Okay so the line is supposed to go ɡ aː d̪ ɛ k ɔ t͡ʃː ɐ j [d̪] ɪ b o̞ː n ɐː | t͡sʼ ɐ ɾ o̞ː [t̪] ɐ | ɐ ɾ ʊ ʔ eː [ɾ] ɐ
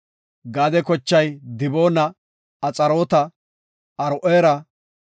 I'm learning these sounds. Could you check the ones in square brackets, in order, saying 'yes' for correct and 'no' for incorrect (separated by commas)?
yes, yes, yes